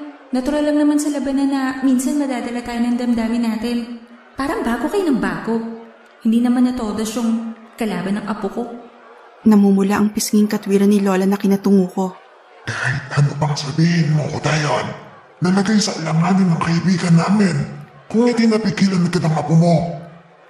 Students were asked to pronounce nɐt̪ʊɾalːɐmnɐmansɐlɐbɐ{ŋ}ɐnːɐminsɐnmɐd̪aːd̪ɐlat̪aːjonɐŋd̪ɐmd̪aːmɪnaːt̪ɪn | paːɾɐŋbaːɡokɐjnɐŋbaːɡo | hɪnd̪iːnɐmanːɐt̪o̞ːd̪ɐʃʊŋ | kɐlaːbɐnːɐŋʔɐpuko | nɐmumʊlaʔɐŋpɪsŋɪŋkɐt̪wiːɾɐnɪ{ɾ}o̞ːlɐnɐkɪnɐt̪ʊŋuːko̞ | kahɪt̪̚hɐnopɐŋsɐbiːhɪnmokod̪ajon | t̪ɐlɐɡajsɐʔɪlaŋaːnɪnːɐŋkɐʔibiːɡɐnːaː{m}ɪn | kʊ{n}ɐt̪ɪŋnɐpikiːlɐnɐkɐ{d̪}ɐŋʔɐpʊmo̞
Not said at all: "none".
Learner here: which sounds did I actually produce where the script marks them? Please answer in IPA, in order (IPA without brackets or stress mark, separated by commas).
n, l, m, ŋ, d̪